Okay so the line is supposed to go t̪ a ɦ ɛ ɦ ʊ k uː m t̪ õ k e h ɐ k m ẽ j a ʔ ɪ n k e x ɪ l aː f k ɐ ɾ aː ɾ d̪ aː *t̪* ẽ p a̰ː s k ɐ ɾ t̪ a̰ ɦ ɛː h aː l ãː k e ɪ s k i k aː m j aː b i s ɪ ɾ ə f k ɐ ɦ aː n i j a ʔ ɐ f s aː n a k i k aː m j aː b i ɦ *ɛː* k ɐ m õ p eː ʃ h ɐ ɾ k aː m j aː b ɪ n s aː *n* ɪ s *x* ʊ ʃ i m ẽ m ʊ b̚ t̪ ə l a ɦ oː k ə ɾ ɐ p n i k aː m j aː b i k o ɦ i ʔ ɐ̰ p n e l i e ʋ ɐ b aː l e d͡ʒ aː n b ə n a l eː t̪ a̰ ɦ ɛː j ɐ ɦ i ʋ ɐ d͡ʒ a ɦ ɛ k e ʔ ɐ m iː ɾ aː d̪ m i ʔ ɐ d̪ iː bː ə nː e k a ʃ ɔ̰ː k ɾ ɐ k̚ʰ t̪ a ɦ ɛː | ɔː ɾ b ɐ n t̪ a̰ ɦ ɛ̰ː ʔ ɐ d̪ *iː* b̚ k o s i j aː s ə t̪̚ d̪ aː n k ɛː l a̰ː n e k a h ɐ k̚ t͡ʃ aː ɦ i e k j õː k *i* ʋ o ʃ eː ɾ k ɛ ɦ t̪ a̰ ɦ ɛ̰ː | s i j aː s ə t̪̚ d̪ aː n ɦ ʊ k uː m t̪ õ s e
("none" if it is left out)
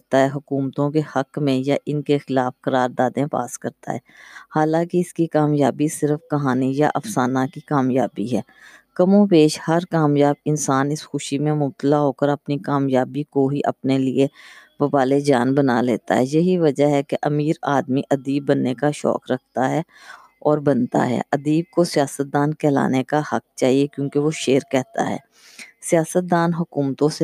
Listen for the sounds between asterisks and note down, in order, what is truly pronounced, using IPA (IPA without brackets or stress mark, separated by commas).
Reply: d̪, ɛː, n, x, iː, e